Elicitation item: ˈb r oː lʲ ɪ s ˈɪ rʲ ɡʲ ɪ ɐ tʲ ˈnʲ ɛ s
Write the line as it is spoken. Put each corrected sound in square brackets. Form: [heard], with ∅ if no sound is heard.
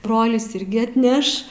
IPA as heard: ˈb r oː lʲ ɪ s ˈɪ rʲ ɡʲ ɪ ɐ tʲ ˈnʲ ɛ [ʃ]